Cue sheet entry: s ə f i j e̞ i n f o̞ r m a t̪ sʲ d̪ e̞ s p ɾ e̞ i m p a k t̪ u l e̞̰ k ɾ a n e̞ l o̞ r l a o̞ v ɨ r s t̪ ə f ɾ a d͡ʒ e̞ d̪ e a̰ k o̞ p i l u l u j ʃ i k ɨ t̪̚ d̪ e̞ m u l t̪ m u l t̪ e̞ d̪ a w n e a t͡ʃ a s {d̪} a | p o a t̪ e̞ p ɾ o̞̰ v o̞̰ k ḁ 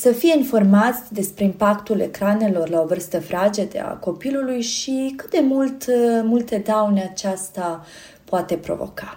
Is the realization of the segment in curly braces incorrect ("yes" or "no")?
yes